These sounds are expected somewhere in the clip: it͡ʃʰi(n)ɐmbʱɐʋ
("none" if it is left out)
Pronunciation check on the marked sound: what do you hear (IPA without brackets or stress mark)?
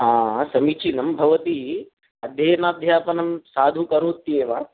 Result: n